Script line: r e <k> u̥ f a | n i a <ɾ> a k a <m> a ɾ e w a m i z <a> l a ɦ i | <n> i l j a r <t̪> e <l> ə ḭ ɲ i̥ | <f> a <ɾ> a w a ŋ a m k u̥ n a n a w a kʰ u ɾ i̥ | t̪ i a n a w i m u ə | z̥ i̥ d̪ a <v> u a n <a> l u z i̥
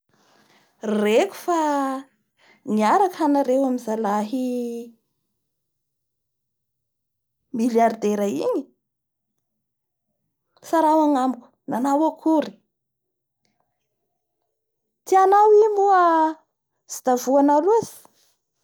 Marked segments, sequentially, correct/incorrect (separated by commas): correct, correct, incorrect, correct, incorrect, incorrect, incorrect, incorrect, correct, correct, correct